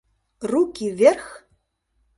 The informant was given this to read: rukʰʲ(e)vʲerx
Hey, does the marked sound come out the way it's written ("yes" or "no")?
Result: no